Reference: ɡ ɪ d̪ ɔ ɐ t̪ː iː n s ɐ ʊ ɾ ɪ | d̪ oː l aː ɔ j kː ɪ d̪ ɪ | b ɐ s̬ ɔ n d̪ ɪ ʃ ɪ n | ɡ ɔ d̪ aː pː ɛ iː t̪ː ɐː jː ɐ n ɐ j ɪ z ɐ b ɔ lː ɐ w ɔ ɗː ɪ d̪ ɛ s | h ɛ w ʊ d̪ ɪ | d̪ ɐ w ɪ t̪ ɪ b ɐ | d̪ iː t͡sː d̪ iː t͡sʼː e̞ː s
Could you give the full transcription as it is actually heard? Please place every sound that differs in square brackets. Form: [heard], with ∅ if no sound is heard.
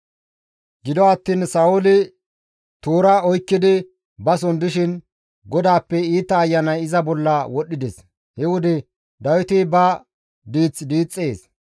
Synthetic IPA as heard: ɡ ɪ d̪ ɔ ɐ t̪ː iː n s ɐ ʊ [l] ɪ | [t̪] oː [ɾ] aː ɔ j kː ɪ d̪ ɪ | b ɐ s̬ ɔ n d̪ ɪ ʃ ɪ n | ɡ ɔ d̪ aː pː ɛ iː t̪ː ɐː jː ɐ n ɐ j ɪ z ɐ b ɔ lː ɐ w ɔ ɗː ɪ d̪ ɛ s | h ɛ w ʊ d̪ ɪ | d̪ ɐ w ɪ t̪ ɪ b ɐ | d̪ iː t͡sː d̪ iː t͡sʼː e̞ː s